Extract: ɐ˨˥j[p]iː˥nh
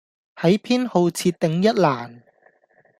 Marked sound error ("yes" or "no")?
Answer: yes